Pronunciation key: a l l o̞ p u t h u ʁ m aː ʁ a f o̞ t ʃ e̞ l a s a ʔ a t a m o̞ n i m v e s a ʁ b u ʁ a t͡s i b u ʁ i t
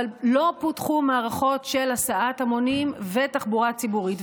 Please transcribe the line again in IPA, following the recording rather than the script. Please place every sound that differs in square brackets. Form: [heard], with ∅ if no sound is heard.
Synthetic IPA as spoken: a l l o̞ p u t [χ] u [∅] m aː ʁ a [χ] o̞ t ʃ e̞ l a s a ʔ a t a m o̞ n i m v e [t] a [χ] b u ʁ a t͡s i b u ʁ i t